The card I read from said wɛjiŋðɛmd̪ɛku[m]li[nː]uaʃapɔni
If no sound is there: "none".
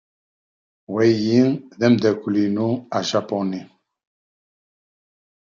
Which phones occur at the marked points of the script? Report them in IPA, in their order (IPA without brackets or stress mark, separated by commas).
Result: none, n